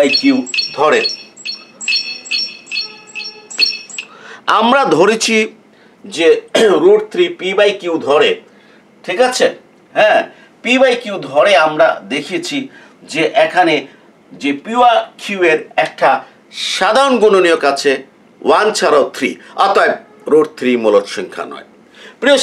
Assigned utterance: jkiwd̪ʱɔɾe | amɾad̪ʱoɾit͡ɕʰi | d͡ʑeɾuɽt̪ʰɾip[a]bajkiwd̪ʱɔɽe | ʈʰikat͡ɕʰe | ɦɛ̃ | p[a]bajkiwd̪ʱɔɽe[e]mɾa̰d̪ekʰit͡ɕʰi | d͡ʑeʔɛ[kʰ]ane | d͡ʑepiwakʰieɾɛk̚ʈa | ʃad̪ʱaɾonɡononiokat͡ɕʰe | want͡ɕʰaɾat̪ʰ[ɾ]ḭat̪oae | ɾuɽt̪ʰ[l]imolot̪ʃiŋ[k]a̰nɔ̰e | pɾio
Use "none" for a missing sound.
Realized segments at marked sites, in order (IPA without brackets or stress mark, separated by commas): i, i, a, kʰ, ɾ, ɾ, kʰ